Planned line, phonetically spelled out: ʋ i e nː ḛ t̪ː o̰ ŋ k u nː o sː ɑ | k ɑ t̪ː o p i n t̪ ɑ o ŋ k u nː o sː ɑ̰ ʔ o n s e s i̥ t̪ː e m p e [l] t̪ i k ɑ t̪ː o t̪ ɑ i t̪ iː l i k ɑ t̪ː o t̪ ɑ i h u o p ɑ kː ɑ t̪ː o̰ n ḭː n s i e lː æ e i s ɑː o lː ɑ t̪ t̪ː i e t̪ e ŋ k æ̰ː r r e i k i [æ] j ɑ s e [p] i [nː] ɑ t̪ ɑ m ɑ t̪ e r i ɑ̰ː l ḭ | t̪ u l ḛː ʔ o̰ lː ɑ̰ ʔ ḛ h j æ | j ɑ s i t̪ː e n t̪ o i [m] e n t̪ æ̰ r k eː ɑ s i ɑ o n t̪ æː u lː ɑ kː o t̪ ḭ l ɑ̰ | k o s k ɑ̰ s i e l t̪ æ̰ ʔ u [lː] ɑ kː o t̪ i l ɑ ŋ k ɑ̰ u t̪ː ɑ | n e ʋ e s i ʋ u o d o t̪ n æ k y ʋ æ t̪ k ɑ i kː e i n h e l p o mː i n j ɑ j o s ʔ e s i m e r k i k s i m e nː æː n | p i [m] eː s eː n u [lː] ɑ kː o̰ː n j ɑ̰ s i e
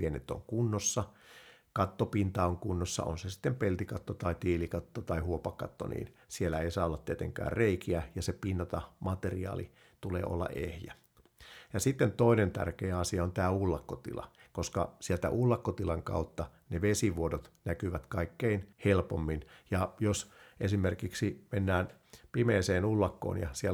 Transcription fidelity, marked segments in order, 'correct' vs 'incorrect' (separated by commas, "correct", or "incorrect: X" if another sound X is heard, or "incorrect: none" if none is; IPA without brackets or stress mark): correct, correct, correct, correct, incorrect: n, correct, correct, correct